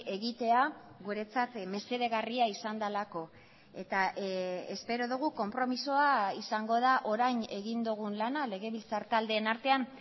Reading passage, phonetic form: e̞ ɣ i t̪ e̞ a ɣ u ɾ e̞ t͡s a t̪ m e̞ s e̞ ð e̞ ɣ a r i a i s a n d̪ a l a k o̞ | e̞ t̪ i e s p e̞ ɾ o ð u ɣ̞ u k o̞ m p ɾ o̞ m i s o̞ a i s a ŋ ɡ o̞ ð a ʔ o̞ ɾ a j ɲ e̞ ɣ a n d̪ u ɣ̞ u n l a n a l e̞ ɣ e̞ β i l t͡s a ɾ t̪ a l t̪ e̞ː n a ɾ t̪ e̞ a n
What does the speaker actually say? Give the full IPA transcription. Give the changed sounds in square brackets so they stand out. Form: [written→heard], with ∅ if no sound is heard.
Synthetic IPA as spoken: e̞ ɣ i t̪ e̞ a ɣ u ɾ e̞ t͡s a t̪ m e̞ s e̞ ð e̞ ɣ a r i a i s a n d̪ a l a k o̞ | e̞ t̪ [i→a] e s p e̞ ɾ o ð u ɣ̞ u k o̞ m p ɾ o̞ m i s o̞ a i s a ŋ ɡ o̞ ð a ʔ o̞ ɾ a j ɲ e̞ ɣ [a→i] n d̪ u ɣ̞ u n l a n a l e̞ ɣ e̞ β i l t͡s a ɾ t̪ a l [t̪→d̪] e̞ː n a ɾ t̪ e̞ a n